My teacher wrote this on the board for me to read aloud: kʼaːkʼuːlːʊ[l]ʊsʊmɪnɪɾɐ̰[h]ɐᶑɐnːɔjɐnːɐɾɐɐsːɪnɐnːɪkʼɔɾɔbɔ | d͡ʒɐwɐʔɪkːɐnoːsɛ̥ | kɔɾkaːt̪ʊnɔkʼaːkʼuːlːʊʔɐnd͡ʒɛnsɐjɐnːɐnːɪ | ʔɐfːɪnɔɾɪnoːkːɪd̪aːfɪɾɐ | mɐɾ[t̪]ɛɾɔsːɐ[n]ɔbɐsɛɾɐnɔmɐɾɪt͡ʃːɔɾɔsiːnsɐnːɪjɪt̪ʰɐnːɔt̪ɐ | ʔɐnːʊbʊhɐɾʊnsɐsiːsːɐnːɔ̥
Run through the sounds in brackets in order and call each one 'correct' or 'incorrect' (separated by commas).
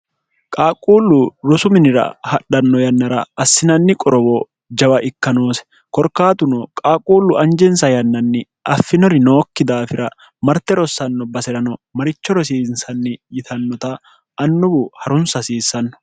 incorrect, correct, correct, incorrect